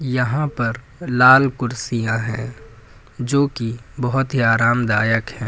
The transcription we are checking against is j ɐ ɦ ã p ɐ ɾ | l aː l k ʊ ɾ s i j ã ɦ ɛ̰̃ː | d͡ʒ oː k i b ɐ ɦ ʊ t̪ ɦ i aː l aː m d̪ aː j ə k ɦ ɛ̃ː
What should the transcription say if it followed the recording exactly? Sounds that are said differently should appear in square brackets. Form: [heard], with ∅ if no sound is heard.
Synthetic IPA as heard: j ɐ ɦ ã p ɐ ɾ | l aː l k ʊ ɾ s i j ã ɦ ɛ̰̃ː | d͡ʒ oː k i b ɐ ɦ ʊ t̪ ɦ i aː [ɾ] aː m d̪ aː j ə k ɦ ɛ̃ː